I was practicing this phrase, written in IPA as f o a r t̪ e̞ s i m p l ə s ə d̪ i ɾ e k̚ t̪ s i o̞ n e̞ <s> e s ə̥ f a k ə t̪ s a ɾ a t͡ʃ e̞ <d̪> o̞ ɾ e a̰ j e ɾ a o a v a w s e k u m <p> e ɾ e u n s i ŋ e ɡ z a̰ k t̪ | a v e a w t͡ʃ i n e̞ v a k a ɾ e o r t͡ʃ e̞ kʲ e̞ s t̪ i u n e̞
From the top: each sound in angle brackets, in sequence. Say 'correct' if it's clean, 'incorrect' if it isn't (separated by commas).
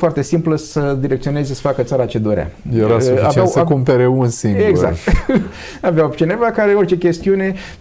incorrect, correct, correct